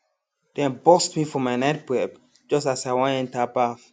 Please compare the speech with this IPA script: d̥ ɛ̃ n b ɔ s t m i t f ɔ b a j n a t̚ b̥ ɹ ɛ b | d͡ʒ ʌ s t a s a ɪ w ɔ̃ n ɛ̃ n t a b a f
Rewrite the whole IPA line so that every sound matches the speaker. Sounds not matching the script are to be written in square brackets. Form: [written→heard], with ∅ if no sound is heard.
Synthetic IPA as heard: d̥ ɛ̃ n b ɔ s t m i [t→∅] f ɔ [b→m] a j n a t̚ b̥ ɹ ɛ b | d͡ʒ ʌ s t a s a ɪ w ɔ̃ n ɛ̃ n t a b a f